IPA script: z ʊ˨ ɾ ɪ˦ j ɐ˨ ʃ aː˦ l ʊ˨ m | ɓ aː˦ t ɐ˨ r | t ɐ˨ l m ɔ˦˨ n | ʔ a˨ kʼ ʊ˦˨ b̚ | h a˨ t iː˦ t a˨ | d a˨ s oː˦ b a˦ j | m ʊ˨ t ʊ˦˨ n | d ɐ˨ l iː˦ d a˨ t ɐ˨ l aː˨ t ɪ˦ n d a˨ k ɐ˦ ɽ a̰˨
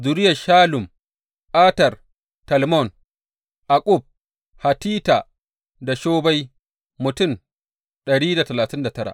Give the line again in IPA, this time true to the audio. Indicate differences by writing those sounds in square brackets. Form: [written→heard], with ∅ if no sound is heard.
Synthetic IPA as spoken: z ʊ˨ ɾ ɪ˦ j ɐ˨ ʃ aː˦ l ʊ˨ m | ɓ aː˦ t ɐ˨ r | t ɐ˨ l m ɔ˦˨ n | ʔ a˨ kʼ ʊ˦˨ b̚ | h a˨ t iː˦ t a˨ | d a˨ [s→ʃ] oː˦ b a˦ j | m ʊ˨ t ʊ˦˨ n | [d→ɗ] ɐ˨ [l→ɽ] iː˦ d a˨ t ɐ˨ l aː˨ t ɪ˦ n d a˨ [k→t] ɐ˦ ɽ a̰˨